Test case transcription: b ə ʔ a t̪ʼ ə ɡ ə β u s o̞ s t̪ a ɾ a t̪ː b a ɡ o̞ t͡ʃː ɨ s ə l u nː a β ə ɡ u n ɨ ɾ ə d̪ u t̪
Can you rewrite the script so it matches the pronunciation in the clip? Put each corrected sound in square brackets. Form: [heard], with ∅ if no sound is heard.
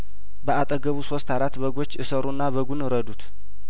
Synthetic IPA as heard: b ə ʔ a t̪ʼ ə ɡ ə β u s o̞ s t̪ a ɾ a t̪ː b [ə] ɡ o̞ t͡ʃː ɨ s ə [ɾ] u nː a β ə ɡ u n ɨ ɾ ə d̪ u t̪